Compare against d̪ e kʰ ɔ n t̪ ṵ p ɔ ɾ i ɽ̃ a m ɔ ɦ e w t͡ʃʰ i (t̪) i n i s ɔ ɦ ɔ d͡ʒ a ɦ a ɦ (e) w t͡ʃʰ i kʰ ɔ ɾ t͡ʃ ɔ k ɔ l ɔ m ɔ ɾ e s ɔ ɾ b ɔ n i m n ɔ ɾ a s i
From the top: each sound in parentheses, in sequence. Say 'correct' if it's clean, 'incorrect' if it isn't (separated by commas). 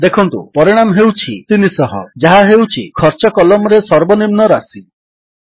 correct, correct